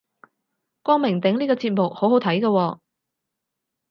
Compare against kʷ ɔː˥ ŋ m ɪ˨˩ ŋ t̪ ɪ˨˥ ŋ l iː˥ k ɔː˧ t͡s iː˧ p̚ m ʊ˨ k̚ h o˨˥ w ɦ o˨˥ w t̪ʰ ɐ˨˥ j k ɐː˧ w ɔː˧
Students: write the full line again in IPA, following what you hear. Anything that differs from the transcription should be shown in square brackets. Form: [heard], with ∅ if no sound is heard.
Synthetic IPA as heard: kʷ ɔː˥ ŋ m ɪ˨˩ ŋ t̪ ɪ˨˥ ŋ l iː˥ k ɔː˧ t͡s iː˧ [t̚] m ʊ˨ k̚ h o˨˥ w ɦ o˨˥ w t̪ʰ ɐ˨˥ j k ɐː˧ w ɔː˧